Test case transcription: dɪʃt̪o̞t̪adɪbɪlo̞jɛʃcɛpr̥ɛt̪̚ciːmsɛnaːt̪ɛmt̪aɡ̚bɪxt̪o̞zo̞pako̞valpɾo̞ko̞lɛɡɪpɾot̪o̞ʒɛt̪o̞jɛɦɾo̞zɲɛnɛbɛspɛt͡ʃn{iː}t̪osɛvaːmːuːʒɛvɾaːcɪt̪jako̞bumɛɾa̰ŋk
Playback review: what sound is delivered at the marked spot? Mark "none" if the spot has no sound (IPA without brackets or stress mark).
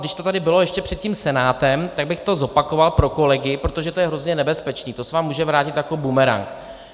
iː